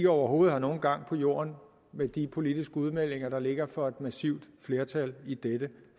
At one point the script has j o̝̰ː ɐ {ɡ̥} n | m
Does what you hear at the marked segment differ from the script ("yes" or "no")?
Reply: yes